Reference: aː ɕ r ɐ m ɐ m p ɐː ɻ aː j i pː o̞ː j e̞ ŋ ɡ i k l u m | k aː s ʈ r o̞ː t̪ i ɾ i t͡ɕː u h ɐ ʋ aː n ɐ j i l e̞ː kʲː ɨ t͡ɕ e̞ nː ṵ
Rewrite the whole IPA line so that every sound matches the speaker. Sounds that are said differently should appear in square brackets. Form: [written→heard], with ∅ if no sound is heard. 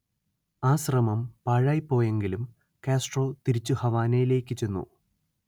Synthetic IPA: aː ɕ r ɐ m ɐ m p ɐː ɻ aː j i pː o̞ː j e̞ ŋ ɡ i [k→∅] l u m | k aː s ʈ r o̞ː t̪ i ɾ i t͡ɕː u h ɐ ʋ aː n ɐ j i l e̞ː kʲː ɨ t͡ɕ e̞ nː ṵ